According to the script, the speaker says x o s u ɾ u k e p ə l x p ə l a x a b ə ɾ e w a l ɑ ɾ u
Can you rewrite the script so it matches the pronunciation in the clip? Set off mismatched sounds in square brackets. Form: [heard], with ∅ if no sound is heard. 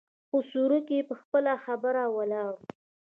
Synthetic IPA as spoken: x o s u ɾ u k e p ə [∅] x p ə l a x a b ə ɾ [a] w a l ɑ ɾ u